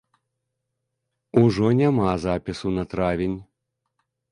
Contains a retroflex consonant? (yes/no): yes